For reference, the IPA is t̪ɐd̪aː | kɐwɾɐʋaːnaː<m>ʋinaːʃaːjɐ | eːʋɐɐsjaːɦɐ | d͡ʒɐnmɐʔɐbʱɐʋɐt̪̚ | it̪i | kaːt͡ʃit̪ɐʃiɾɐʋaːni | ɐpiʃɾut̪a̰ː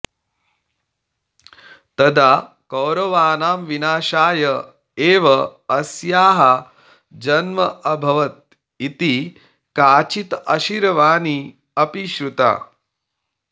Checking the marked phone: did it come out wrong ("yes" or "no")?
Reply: no